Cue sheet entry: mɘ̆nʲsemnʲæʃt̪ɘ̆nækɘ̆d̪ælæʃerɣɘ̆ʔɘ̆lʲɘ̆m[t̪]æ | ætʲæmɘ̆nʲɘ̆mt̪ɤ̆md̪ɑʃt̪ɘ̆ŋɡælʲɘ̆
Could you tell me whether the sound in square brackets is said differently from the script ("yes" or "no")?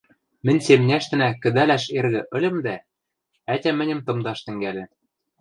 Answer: yes